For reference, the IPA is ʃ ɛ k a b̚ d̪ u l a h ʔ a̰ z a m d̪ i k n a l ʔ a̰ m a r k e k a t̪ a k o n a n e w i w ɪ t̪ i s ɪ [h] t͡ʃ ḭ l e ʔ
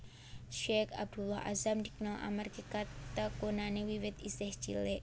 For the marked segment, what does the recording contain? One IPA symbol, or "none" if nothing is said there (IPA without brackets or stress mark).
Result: h